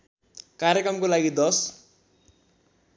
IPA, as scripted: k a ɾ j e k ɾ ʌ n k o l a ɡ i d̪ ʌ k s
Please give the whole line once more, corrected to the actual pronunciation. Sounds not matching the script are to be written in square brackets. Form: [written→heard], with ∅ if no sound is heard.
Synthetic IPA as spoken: k a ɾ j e k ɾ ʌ [n→m] k o l a ɡ i d̪ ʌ [k→∅] s